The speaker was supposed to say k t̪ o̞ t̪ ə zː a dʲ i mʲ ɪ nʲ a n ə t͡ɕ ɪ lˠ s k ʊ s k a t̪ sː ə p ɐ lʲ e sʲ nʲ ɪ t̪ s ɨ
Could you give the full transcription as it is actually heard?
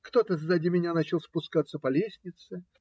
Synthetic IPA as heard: k t̪ o̞ t̪ ə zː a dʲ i mʲ ɪ nʲ a n a t͡ɕ ɪ lˠ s p ʊ s k a t̪ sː ə p ɐ lʲ e sʲ nʲ ɪ t̪ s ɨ